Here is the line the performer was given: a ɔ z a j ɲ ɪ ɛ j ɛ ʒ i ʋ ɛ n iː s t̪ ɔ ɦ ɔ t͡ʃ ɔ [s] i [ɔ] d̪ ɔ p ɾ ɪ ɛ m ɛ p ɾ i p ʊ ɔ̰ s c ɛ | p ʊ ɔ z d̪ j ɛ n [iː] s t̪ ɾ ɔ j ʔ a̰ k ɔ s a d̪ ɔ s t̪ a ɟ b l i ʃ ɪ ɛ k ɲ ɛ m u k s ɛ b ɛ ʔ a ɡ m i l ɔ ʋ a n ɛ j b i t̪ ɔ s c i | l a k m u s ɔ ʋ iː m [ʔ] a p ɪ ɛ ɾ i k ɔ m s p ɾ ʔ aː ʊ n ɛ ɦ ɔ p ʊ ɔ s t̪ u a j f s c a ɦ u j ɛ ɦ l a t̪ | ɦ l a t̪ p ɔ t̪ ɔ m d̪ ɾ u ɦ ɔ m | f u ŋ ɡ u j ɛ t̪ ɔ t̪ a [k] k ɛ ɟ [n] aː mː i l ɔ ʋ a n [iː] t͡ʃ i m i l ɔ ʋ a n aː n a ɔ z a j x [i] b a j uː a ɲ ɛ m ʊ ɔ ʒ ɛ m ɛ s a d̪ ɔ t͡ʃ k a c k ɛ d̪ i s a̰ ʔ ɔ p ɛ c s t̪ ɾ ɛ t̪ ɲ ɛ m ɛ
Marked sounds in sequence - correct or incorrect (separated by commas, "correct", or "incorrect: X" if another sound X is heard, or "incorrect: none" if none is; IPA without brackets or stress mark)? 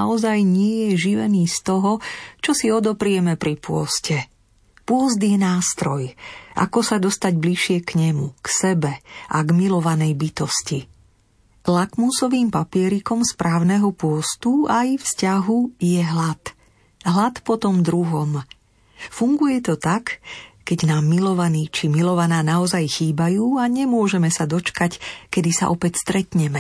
correct, correct, incorrect: aː, incorrect: p, correct, correct, correct, incorrect: iː